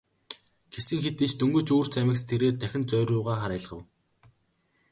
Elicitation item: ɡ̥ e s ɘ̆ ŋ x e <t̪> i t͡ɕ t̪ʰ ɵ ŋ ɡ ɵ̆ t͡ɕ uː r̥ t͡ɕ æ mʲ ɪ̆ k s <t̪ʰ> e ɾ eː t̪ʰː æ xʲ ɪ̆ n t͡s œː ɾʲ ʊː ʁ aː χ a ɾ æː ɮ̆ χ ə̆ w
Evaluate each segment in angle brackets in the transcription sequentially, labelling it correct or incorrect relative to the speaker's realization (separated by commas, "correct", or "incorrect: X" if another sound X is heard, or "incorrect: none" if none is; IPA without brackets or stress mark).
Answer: correct, correct